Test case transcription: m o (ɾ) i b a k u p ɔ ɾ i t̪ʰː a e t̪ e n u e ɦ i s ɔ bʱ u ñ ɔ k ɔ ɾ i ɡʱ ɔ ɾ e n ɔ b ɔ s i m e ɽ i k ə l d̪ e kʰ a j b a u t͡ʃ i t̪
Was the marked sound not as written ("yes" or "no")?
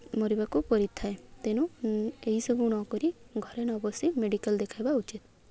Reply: no